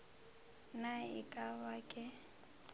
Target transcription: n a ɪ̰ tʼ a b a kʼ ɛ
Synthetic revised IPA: n a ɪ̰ kʼ a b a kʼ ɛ